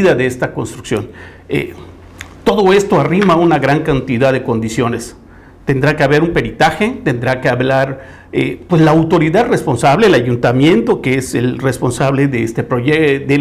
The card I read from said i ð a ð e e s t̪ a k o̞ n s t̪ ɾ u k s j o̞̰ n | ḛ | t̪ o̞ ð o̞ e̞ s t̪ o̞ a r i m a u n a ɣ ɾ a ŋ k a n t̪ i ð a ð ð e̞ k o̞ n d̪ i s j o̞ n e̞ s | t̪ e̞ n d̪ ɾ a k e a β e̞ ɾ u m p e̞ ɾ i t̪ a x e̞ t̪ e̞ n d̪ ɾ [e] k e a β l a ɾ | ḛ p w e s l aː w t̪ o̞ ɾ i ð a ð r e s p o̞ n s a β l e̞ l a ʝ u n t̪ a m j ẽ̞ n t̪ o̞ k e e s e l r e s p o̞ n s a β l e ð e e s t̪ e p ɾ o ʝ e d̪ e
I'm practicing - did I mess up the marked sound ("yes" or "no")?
yes